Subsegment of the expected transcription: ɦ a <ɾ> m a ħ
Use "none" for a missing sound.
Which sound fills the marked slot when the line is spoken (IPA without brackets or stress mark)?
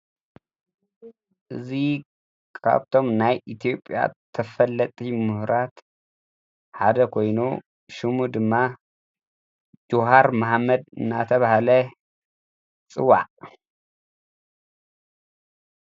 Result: ɾ